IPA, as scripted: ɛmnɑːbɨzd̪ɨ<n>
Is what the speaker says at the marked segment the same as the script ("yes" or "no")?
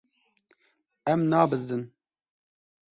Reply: yes